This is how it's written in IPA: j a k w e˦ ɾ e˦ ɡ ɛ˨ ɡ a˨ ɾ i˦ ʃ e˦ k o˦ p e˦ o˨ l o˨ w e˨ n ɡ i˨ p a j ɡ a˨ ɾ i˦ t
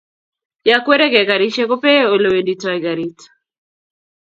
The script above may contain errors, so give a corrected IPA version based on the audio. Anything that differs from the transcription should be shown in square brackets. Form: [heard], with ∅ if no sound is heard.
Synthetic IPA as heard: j a k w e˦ ɾ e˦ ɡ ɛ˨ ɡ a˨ ɾ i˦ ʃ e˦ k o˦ p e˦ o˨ l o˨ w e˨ n [d] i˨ [t] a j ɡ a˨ ɾ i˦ t